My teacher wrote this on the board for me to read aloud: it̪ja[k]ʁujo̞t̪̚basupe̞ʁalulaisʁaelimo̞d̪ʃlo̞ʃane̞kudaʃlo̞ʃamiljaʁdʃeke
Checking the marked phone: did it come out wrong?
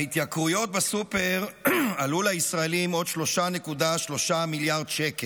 no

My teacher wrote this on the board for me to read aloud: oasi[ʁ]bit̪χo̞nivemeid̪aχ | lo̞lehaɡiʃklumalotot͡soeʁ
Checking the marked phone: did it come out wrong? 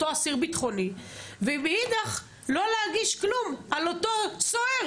no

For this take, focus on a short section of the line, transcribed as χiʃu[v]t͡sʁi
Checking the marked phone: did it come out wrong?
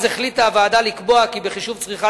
no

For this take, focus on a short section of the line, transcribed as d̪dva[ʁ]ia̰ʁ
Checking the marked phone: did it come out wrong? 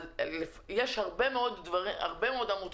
no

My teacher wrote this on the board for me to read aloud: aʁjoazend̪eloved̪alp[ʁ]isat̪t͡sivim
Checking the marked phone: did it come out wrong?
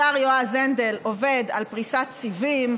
no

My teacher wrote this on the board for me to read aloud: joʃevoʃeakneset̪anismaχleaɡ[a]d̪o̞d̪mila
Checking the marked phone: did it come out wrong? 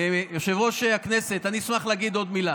yes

